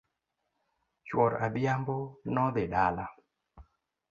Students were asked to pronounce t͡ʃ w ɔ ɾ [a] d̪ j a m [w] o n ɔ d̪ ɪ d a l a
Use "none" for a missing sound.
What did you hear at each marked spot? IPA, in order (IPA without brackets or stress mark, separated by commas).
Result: a, b